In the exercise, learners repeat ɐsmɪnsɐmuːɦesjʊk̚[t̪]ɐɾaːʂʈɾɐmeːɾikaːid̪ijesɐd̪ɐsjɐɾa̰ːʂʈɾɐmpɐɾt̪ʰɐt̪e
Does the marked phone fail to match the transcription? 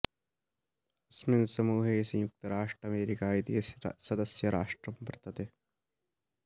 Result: no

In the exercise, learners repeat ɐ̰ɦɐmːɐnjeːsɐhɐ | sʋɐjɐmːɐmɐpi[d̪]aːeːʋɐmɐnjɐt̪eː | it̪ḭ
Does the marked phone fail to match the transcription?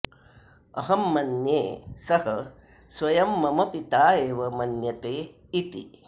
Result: yes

